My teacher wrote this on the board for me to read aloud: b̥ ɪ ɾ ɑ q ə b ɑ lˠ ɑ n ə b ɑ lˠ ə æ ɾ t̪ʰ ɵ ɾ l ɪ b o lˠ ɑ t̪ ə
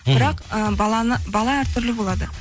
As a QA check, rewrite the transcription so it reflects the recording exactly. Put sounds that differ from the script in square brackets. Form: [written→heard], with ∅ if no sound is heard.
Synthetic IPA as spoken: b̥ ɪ ɾ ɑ q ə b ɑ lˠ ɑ n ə b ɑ lˠ [ə→ɑ] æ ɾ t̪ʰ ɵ ɾ l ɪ b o lˠ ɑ [t̪→d̪] ə

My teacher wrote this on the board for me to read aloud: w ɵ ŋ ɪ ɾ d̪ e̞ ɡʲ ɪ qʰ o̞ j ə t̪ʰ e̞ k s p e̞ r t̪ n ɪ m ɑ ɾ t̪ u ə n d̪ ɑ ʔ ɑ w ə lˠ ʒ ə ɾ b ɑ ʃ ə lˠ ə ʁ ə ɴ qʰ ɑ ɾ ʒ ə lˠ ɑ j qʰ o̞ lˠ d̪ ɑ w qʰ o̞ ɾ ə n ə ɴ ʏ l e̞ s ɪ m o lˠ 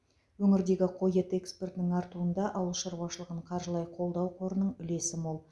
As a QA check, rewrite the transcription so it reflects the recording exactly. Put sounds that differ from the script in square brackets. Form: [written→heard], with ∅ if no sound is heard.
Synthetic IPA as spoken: w ɵ ŋ ɪ ɾ d̪ e̞ ɡʲ ɪ qʰ o̞ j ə [t̪ʰ→t̪] e̞ k s p e̞ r t̪ n ɪ [m→ŋ] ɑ ɾ t̪ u ə n d̪ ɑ ʔ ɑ w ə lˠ [ʒ→ʃ] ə ɾ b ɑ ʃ ə lˠ ə ʁ ə ɴ qʰ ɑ ɾ ʒ ə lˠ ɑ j qʰ o̞ lˠ d̪ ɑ w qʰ o̞ ɾ ə n ə ɴ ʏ l e̞ s ɪ m o lˠ

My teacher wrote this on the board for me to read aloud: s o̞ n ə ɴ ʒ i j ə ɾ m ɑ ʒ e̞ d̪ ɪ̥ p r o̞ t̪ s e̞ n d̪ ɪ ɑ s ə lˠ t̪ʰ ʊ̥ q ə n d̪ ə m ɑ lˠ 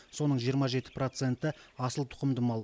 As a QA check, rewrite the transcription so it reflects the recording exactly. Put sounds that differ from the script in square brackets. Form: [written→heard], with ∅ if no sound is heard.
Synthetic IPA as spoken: s o̞ n ə ɴ ʒ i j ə ɾ m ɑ ʒ e̞ [d̪→t̪] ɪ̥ p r o̞ t̪ s e̞ n [d̪→t̪] ɪ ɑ s ə lˠ t̪ʰ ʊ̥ q ə [n→m] d̪ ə m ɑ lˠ

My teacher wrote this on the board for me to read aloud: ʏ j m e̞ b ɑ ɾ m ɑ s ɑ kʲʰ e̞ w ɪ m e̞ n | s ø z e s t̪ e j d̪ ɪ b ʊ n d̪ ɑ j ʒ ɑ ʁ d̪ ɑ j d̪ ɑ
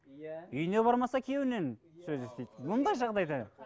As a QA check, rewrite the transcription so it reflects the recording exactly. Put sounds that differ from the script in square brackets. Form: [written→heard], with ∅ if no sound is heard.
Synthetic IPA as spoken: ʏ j [m→n] e̞ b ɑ ɾ m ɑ s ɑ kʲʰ e̞ w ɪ [m→n] e̞ n | s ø z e s t̪ e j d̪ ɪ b ʊ n d̪ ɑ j ʒ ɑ ʁ d̪ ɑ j d̪ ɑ

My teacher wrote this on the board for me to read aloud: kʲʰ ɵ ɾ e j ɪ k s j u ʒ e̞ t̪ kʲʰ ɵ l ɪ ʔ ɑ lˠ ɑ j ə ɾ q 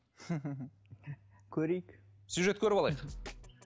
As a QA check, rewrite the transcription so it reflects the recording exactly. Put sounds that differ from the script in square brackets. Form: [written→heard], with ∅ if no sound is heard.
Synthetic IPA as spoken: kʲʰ ɵ ɾ e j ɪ k s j u ʒ e̞ t̪ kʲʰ ɵ [l→ɾ] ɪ [ʔ→p] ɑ lˠ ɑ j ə [ɾ→∅] q

